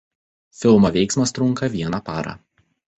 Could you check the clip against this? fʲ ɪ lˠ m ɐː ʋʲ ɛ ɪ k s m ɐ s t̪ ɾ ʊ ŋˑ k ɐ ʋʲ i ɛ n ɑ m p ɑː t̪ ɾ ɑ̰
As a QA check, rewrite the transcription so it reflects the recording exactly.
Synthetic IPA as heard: fʲ ɪ lˠ m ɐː ʋʲ ɛ ɪ k s m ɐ s t̪ ɾ ʊ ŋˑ k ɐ ʋʲ i ɛ n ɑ p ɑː ɾ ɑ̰